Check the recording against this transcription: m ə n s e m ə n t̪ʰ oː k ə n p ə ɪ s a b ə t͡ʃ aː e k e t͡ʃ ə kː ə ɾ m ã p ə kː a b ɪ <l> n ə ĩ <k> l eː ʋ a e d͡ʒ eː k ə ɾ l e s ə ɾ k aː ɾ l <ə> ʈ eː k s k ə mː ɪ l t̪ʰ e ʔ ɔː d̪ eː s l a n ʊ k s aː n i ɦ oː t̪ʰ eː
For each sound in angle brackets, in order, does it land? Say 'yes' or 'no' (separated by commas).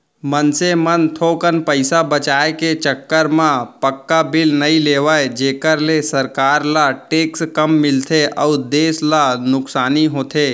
yes, no, no